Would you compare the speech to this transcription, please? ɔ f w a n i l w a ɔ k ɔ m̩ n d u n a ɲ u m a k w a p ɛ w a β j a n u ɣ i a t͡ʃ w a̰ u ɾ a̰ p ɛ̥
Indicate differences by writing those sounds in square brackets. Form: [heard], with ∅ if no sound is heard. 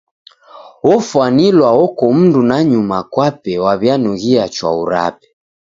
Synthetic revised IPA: ɔ f w a n i l w a ɔ k ɔ m̩ n d u n a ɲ u m a k w a p ɛ w a β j a n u ɣ i a t͡ʃ w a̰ u ɾ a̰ p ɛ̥